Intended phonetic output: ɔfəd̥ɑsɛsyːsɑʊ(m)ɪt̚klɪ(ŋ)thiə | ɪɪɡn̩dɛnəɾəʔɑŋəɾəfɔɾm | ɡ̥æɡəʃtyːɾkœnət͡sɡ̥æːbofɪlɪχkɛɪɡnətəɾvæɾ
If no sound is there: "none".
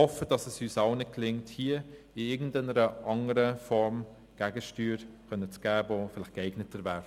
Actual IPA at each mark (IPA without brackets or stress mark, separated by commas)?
n, ŋ